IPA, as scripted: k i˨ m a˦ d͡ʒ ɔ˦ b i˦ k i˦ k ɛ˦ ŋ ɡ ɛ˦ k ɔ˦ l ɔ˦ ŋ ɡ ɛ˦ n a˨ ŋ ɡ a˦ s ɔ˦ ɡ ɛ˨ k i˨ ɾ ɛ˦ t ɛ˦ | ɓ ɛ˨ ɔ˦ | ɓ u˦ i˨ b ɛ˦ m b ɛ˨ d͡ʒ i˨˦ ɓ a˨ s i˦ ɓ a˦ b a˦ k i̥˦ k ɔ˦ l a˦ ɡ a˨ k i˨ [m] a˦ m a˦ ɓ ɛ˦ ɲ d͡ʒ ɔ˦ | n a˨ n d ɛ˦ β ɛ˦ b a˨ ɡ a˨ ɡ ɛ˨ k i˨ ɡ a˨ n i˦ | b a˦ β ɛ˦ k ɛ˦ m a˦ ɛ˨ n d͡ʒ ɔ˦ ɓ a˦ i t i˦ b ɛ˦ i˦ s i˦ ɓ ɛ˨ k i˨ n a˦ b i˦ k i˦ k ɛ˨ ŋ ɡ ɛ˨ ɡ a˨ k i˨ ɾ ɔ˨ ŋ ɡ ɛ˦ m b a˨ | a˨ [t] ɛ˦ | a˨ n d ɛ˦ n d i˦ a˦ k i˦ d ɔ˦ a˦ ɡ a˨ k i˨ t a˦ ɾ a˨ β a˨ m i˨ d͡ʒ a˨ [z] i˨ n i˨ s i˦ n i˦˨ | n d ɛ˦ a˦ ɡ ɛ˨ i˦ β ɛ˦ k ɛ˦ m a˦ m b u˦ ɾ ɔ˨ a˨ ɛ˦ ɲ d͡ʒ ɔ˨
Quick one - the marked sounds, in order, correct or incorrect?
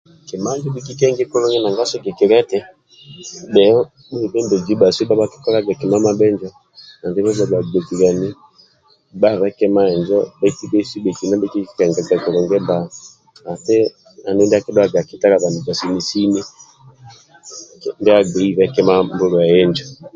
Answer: correct, correct, incorrect: s

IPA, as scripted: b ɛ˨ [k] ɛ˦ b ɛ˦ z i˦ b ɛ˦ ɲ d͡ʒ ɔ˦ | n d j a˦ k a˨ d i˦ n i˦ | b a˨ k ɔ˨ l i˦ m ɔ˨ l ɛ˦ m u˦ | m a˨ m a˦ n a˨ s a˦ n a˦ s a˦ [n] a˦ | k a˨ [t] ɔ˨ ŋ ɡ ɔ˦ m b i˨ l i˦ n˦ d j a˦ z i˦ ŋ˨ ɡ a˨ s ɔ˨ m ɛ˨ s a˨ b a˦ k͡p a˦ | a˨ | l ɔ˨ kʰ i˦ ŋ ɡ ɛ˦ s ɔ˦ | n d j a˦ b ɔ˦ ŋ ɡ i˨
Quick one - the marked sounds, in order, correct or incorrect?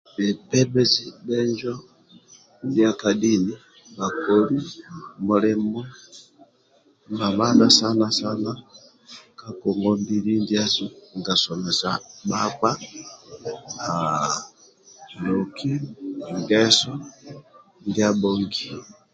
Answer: incorrect: p, correct, incorrect: k

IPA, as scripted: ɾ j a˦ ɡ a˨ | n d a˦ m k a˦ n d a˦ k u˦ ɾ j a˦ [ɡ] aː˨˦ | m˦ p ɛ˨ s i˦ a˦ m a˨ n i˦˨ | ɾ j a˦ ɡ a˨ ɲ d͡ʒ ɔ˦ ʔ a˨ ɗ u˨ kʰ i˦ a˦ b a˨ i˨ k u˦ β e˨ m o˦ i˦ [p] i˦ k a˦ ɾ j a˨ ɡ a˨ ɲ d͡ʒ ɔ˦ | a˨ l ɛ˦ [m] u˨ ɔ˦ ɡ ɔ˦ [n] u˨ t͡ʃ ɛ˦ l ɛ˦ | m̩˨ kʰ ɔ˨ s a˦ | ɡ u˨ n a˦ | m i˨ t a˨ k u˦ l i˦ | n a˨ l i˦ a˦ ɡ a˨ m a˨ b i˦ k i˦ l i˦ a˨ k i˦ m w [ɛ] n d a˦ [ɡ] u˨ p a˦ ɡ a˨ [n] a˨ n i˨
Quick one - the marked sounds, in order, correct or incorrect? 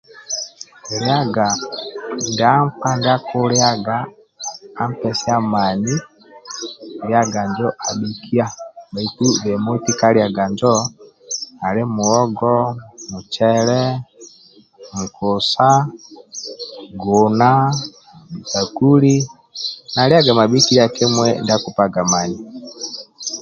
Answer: correct, incorrect: t, correct, incorrect: m, correct, incorrect: k, incorrect: m

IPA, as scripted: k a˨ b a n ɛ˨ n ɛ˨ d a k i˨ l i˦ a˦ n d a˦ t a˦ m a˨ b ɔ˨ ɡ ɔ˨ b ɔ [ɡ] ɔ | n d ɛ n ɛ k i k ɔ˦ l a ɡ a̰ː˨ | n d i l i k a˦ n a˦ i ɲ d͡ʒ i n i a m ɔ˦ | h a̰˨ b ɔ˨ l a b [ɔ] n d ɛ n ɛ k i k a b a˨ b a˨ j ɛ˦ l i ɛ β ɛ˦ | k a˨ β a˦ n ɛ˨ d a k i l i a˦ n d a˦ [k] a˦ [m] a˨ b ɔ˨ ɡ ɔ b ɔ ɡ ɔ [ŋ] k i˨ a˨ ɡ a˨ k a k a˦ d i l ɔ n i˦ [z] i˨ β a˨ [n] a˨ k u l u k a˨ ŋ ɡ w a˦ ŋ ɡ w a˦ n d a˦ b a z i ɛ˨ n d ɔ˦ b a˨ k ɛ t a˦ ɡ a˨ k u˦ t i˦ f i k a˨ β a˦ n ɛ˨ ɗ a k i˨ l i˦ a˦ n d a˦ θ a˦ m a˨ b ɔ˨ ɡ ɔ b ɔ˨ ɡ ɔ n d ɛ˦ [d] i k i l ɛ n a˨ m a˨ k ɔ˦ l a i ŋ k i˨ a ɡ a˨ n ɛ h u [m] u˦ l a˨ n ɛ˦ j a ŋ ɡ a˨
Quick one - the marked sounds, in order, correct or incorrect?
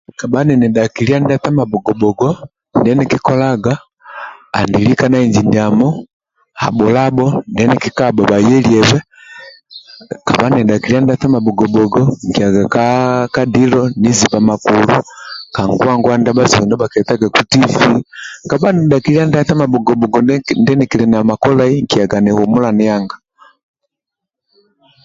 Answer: correct, correct, incorrect: t, correct, correct, correct, incorrect: m, incorrect: n, correct

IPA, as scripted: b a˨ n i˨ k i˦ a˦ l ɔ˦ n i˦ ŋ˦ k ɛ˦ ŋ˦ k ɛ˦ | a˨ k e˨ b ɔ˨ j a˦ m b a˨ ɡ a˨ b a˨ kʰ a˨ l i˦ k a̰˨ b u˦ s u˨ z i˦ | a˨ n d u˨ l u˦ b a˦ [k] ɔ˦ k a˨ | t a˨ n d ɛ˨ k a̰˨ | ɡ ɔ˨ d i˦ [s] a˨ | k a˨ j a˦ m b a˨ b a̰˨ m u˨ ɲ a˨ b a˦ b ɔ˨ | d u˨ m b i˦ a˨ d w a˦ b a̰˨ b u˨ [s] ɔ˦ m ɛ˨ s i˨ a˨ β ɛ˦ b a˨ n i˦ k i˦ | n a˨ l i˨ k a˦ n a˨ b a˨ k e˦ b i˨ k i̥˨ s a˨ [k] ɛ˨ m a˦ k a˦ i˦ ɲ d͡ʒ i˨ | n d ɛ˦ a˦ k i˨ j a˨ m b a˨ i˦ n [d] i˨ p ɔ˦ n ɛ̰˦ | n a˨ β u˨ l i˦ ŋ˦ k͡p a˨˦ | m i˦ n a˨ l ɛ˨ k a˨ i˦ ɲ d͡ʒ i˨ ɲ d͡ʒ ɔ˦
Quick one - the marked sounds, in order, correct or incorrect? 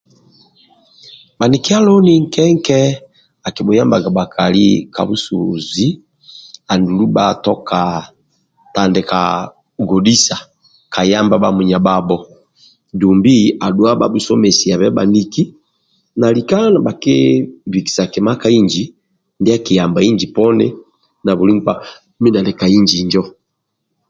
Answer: incorrect: t, correct, correct, correct, incorrect: d͡ʒ

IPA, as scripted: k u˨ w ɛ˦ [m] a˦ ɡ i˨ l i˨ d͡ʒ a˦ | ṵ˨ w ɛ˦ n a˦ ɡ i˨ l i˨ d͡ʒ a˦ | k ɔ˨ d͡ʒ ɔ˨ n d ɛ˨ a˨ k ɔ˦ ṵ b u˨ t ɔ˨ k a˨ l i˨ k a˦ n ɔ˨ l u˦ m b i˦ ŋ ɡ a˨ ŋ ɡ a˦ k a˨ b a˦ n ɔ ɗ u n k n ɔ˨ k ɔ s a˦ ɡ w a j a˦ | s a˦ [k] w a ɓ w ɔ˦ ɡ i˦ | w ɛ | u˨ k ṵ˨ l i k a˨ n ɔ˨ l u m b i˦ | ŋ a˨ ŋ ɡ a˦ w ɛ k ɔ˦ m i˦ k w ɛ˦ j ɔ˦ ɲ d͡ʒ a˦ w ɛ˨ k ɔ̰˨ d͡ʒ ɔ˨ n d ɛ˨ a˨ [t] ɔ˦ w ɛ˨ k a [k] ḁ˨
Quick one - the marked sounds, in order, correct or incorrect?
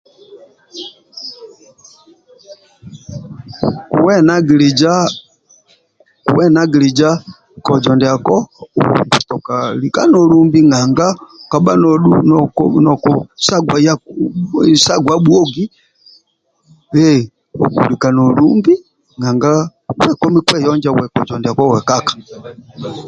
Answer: incorrect: n, incorrect: ɡ, incorrect: k, correct

